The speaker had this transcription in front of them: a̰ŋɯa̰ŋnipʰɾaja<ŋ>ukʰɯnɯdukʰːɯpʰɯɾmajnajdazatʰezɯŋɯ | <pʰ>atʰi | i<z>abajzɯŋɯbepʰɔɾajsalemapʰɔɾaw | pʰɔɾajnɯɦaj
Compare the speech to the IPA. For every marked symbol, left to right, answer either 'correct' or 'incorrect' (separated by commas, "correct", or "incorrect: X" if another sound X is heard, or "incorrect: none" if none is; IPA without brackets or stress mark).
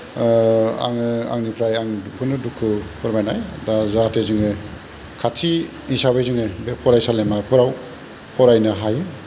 correct, incorrect: kʰ, incorrect: s